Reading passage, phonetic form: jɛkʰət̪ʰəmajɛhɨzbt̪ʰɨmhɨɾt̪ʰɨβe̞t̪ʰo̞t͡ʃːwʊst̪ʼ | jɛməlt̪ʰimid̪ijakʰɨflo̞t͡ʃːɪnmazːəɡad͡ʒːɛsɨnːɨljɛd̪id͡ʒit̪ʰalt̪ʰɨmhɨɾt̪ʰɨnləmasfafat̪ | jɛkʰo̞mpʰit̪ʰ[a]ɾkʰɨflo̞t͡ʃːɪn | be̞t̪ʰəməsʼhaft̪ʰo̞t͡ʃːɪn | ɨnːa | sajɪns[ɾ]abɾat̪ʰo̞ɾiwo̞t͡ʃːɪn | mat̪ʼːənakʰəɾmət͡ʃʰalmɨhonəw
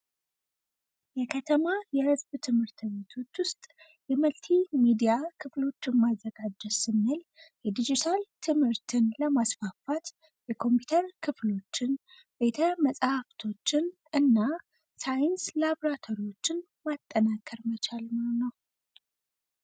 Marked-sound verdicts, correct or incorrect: incorrect: ə, incorrect: l

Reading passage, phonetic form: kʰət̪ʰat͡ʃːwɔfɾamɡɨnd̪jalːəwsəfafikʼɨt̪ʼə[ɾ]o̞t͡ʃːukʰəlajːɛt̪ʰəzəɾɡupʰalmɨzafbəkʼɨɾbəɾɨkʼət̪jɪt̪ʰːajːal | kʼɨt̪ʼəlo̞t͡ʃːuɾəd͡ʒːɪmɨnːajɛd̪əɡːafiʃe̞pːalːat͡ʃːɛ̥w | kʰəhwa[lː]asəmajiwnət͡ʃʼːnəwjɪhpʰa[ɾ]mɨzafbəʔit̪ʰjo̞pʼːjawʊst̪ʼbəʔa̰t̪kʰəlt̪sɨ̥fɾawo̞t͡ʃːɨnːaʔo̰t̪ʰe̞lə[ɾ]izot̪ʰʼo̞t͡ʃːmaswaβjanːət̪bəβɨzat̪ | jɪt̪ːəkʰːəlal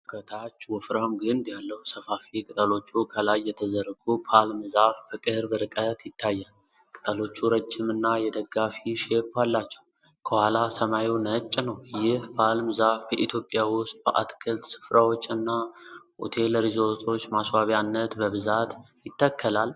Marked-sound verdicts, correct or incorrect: incorrect: l, incorrect: l, incorrect: l, correct

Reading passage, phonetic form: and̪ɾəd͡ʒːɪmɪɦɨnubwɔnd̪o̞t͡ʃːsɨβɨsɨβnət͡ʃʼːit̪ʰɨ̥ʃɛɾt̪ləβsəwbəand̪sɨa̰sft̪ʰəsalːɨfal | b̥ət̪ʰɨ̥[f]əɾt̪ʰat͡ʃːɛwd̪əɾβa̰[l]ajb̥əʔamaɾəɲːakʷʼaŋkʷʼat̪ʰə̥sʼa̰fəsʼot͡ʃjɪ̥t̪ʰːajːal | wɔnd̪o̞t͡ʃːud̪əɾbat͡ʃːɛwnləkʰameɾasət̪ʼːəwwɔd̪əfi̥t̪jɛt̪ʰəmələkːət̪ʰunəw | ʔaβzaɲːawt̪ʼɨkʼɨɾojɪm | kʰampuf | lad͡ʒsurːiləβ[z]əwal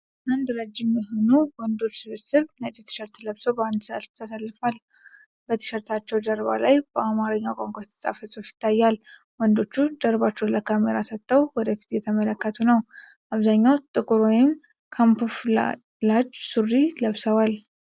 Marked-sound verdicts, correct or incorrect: incorrect: ʃ, correct, incorrect: s

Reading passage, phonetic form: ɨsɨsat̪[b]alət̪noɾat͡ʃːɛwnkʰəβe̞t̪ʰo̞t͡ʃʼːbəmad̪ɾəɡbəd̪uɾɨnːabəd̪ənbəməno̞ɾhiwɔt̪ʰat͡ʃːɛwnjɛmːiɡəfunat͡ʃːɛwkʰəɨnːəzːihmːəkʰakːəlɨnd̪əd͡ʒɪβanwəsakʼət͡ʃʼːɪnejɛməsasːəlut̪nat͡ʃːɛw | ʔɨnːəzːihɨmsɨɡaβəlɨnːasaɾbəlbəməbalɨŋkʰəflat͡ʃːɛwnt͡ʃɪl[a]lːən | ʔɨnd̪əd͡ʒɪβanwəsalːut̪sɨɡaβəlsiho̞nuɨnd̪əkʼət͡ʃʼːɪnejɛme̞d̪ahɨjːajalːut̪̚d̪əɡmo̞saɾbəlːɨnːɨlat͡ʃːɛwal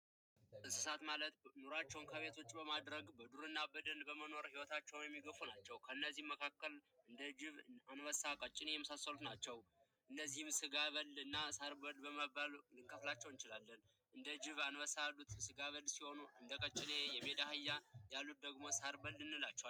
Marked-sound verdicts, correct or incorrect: incorrect: m, correct

